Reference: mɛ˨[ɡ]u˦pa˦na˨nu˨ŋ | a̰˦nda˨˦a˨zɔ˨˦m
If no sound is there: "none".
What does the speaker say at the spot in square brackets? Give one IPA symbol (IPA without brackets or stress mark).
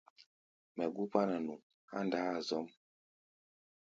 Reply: ɡ